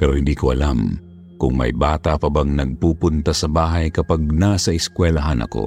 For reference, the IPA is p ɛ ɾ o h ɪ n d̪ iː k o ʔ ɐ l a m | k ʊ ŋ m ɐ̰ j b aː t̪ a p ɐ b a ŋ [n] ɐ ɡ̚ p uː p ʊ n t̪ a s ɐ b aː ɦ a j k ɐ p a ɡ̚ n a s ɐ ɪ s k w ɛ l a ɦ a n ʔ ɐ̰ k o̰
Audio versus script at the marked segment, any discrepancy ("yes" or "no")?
no